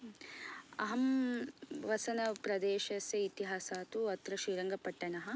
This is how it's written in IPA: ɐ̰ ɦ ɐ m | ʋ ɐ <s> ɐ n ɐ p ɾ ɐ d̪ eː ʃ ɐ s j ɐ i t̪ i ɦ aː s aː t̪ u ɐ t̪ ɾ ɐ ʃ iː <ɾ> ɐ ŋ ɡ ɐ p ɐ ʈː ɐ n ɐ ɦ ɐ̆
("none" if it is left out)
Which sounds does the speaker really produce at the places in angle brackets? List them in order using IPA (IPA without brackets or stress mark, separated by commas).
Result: s, ɾ